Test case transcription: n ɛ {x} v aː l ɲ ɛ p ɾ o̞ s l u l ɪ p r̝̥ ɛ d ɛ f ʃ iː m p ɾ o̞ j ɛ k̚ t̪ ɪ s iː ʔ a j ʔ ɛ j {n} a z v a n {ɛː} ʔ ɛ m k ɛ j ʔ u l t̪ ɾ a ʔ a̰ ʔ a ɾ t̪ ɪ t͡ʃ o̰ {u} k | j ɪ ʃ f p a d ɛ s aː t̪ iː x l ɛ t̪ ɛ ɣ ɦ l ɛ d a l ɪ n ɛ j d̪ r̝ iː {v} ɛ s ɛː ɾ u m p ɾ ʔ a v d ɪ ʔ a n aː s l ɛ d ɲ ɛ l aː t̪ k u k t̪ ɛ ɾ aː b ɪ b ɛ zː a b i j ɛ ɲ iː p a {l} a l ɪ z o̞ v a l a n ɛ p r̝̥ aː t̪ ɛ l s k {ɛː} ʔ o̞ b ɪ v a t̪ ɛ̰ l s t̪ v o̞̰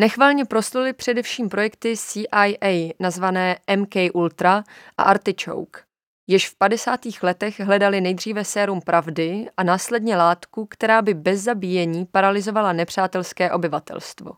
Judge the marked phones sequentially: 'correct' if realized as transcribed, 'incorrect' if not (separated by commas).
correct, correct, correct, incorrect, correct, incorrect, correct